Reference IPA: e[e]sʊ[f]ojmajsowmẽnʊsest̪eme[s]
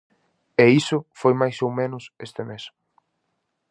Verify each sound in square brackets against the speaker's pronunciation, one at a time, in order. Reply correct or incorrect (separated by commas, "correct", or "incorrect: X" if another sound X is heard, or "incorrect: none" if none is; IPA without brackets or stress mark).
incorrect: i, correct, correct